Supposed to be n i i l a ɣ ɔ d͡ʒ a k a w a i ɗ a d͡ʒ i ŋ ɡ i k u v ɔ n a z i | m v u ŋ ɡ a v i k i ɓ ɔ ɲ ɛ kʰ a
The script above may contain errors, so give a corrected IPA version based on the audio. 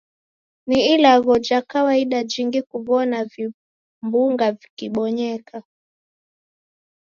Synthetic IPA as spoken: n i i l a ɣ ɔ d͡ʒ a k a w a i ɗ a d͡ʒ i ŋ ɡ i k u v ɔ n a v i | m b u ŋ ɡ a v i k i ɓ ɔ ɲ ɛ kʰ a